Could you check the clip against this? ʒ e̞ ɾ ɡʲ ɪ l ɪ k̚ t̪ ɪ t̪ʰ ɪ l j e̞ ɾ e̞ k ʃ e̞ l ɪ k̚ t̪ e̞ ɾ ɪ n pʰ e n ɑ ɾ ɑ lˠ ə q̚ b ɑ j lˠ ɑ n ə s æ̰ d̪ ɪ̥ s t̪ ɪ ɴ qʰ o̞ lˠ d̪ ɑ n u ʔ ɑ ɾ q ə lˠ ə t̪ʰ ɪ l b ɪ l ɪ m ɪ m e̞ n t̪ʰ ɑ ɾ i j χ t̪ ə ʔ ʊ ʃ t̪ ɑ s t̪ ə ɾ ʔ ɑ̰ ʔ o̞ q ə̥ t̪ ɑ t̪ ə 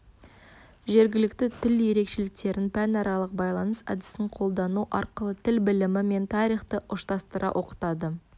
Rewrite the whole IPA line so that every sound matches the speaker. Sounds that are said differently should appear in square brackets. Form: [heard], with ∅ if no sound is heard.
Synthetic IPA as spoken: ʒ e̞ ɾ ɡʲ ɪ l ɪ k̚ t̪ ɪ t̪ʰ ɪ l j e̞ ɾ e̞ k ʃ e̞ l ɪ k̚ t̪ e̞ ɾ ɪ n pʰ [æ] n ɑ ɾ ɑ lˠ ə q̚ b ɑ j lˠ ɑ n ə s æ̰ d̪ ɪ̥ s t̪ ɪ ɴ qʰ o̞ lˠ d̪ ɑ n u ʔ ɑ ɾ q ə lˠ ə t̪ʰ ɪ l b ɪ l ɪ m ɪ m e̞ n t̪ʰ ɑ ɾ i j χ t̪ ə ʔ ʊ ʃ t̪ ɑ s t̪ ə ɾ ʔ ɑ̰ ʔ o̞ q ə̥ t̪ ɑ [d̪] ə